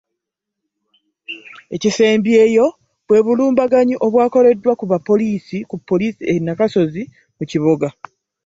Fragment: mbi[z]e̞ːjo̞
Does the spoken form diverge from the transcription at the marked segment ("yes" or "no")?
yes